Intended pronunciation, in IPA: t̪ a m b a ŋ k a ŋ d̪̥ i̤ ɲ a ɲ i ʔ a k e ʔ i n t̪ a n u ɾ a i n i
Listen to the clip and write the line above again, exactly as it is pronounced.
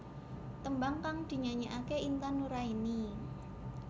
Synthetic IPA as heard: t̪ ə m b a ŋ k a ŋ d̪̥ i̤ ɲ a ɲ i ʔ a k e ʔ i n t̪ a n u ɾ a i n i